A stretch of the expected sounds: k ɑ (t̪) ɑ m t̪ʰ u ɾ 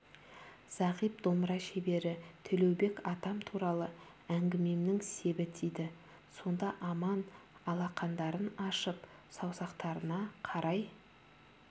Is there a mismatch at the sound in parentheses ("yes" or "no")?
no